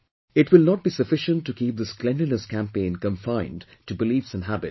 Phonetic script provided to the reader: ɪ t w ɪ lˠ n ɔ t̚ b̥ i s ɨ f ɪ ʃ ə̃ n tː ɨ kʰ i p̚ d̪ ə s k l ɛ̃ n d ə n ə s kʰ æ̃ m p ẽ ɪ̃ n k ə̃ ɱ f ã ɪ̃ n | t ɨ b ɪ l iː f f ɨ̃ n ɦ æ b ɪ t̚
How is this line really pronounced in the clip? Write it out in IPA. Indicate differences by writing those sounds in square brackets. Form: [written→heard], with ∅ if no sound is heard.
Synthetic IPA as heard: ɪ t w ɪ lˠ n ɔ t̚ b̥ i s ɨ f ɪ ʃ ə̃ n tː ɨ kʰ i p̚ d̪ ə s k l ɛ̃ n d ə n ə s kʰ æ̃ m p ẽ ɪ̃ n k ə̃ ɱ f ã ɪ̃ n | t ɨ b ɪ l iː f [f→s] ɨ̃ n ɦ æ b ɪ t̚